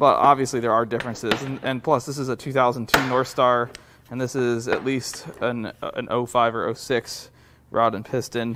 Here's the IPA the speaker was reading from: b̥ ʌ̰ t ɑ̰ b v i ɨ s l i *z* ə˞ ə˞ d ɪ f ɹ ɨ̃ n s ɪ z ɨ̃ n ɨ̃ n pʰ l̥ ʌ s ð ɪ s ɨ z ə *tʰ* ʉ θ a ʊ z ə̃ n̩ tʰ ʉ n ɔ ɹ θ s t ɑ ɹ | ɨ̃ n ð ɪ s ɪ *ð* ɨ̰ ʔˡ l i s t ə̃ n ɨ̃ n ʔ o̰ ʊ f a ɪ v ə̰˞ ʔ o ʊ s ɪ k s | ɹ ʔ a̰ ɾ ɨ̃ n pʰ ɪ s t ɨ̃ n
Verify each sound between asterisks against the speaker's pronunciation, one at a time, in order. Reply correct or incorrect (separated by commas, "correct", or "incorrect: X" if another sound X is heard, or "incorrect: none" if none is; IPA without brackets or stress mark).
incorrect: ð, correct, incorrect: z